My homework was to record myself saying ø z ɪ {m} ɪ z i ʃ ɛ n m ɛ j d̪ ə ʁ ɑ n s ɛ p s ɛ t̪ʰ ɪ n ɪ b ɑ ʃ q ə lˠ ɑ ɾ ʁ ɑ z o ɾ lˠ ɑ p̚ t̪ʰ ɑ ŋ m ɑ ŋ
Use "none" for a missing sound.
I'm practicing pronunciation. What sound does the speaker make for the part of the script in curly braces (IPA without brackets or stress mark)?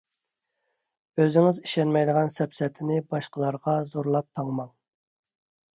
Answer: ŋ